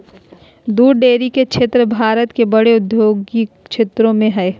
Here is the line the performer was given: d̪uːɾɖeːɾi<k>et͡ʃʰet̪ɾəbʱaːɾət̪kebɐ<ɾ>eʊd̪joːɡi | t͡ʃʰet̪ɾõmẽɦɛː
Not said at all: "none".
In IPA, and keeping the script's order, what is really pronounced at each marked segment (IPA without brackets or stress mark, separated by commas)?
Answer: k, ɽ